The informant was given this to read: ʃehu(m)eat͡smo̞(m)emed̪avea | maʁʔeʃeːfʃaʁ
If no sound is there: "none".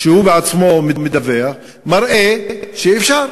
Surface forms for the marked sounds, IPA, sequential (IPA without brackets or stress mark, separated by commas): b, m